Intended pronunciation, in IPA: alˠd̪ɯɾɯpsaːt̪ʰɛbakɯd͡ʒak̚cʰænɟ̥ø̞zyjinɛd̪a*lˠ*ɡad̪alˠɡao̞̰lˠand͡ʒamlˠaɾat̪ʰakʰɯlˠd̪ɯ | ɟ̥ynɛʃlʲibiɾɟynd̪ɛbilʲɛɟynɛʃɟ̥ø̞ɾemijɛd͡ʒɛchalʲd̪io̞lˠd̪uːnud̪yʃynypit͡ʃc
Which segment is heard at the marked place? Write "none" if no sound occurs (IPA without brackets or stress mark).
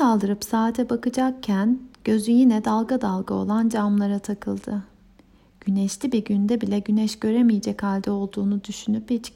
lˠ